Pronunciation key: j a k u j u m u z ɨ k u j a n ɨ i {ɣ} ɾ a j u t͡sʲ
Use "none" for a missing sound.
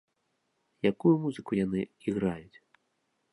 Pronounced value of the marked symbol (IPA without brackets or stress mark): ɣ